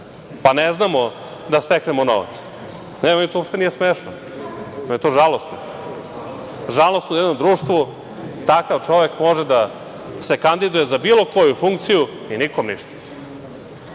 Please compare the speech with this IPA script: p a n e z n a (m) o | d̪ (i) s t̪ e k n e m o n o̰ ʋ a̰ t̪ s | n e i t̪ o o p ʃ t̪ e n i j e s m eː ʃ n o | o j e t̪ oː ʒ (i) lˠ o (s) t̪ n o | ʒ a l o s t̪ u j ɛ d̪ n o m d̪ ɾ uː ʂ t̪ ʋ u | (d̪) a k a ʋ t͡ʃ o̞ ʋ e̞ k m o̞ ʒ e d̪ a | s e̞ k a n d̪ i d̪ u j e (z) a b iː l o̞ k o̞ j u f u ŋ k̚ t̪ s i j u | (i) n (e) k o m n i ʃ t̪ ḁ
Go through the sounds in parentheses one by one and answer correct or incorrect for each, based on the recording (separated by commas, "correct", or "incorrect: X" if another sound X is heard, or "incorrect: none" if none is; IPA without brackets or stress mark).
correct, incorrect: a, incorrect: a, correct, incorrect: t̪, correct, correct, incorrect: i